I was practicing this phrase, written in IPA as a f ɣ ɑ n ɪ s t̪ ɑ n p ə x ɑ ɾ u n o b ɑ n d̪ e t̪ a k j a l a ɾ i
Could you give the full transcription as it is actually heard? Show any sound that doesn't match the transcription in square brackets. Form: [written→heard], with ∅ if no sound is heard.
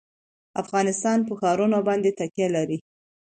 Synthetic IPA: a f ɣ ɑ n ɪ s t̪ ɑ n p ə x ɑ ɾ u n o b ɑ n d̪ e t̪ a k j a l a ɾ i